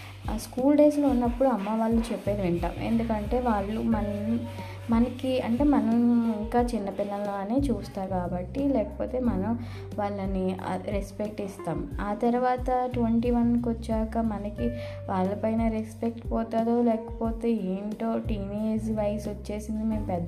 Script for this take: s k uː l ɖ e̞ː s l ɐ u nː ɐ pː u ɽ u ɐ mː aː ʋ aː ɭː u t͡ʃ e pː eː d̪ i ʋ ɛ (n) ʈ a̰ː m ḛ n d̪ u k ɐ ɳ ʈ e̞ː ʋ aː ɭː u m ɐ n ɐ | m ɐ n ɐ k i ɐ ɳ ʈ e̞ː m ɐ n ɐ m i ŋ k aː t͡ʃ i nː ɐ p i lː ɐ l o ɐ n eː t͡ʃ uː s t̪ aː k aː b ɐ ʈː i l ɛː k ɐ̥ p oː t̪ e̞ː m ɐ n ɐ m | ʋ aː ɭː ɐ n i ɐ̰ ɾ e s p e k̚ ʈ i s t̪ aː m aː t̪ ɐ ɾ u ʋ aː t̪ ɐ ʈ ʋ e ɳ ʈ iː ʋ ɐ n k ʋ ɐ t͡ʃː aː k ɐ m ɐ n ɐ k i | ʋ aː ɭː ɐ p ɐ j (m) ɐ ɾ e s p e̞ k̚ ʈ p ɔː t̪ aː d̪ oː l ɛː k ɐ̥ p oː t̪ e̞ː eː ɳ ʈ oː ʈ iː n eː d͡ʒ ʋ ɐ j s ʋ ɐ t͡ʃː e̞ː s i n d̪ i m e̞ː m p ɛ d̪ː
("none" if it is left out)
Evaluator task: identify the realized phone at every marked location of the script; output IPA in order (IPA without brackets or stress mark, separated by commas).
ɳ, n